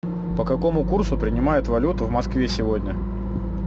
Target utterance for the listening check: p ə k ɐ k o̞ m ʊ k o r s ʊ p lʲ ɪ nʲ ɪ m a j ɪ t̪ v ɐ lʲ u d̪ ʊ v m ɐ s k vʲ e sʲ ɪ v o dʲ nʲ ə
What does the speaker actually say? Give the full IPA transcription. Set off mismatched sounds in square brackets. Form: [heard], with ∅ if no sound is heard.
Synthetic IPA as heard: p ə k ɐ k o̞ m ʊ k [u] r s ʊ p [ɾʲ] ɪ nʲ ɪ m a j ɪ t̪ v ɐ lʲ u [t̪] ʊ v m ɐ s k vʲ e sʲ ɪ v o dʲ nʲ ə